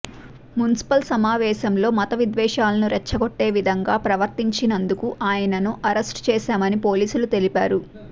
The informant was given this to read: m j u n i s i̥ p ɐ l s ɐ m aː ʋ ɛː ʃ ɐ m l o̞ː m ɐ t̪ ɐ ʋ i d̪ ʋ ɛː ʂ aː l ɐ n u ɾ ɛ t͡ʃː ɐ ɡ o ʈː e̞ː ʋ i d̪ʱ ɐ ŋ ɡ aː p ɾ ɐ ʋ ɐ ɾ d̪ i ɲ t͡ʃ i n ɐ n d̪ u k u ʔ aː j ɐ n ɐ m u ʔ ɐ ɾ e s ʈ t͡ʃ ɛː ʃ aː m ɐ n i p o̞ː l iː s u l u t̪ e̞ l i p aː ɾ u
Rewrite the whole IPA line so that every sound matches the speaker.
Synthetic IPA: m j u n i s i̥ p ɐ l s ɐ m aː ʋ ɛː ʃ ɐ m l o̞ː m ɐ t̪ ɐ ʋ i d̪ ʋ ɛː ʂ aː l ɐ n u ɾ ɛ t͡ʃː ɐ ɡ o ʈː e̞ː ʋ i d̪ʱ ɐ ŋ ɡ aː p ɾ ɐ ʋ ɐ ɾ t̪ i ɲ t͡ʃ i n ɐ n d̪ u k u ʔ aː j ɐ n ɐ n u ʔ ɐ ɾ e s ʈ t͡ʃ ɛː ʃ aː m ɐ n i p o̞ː l iː s u l u t̪ e̞ l i p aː ɾ u